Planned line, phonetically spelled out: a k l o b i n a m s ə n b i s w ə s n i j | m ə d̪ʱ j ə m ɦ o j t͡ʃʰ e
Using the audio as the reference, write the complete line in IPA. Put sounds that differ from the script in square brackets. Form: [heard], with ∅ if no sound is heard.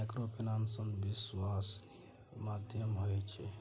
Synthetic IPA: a k [ɾ] o [p] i n a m s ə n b i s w [a] s n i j | m [a] d̪ʱ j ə m ɦ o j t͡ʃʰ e